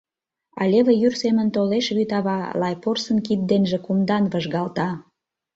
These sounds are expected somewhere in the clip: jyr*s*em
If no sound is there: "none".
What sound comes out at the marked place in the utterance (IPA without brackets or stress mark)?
s